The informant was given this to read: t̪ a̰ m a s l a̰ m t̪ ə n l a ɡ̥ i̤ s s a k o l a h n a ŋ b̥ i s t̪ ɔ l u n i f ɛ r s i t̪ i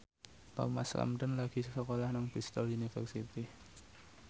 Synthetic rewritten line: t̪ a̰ m a s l a̰ m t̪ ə n l a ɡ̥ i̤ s s ə k o l a h n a ŋ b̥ i s t̪ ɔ l u n i f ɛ r s i t̪ i

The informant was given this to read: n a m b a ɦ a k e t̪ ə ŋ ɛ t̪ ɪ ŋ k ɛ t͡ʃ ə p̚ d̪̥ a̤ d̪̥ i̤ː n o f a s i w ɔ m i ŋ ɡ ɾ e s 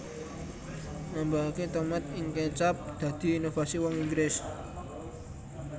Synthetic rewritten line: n a m b a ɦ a k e t̪ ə m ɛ t̪ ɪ ŋ k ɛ t͡ʃ a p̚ d̪̥ a̤ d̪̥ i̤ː n o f a s i w ɔ ŋ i ŋ ɡ ɾ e s

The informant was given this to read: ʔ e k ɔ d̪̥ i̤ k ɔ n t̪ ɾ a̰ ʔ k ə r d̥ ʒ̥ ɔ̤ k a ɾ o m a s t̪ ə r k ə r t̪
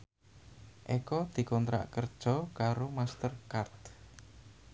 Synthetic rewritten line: ʔ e k ɔ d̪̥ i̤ k ɔ n t̪ ɾ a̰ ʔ k ə r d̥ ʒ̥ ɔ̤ k a ɾ o m a s t̪ ə r k a r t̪

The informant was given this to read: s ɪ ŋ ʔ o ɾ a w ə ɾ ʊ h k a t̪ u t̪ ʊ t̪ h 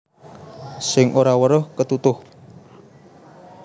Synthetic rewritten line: s ɪ ŋ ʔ o ɾ a w ə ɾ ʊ h k ə t̪ u t̪ ʊ h

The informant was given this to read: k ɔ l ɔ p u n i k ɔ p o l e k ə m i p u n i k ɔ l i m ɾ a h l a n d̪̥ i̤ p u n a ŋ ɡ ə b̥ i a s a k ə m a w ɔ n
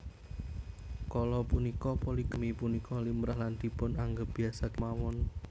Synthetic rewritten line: k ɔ l ɔ p u n i k ɔ p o l i k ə m i p u n i k ɔ l i m ɾ a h l a n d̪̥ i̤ p ʊ n a ŋ ɡ ə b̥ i a s a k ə m a w ɔ n

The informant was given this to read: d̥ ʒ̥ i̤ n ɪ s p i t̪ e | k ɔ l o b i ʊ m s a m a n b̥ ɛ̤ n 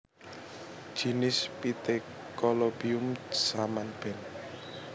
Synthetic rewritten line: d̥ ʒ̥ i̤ n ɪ s p i t̪ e | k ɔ l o b i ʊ m s a m a n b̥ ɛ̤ n

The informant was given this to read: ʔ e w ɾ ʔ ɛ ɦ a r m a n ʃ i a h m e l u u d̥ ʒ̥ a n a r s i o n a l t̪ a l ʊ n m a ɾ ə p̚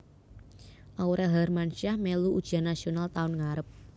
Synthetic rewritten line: ʔ a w ɾ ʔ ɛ ɦ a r m a n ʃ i a h m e l u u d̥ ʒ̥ a n a s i o n a l t̪ a ʊ n ŋ a ɾ ə p̚

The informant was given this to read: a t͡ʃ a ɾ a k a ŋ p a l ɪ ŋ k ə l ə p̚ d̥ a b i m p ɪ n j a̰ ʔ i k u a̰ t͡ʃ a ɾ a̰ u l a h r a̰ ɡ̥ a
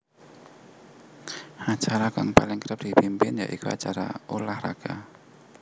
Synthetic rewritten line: a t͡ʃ a ɾ a k a ŋ p a l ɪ ŋ k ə ɾ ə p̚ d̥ i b i m p ɪ n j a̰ ʔ i k u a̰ t͡ʃ a ɾ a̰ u l a h r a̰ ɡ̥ a

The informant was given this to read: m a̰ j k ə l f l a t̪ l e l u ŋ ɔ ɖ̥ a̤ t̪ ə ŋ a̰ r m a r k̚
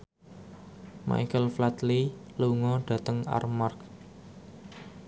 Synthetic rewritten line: m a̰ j k ə l f l a t̪ l i l u ŋ ɔ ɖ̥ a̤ t̪ ə ŋ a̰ r m a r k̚

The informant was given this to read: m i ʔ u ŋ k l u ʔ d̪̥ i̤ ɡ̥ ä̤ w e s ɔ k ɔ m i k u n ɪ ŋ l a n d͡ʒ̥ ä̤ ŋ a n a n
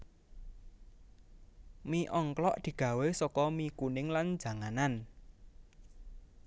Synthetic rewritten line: m i ʔ ɔ ŋ k l ɔ ʔ d̪̥ i̤ ɡ̥ ä̤ w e s ɔ k ɔ m i k u n ɪ ŋ l a n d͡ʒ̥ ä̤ ŋ a n a n

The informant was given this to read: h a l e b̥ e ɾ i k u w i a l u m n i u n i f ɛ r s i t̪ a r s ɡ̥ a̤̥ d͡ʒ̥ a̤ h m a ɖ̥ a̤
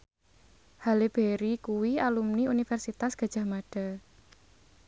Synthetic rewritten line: h a l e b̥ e ɾ i k u w i a l u m n i u n i f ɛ r s i t̪ a s ɡ̥ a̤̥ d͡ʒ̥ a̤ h m a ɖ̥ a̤

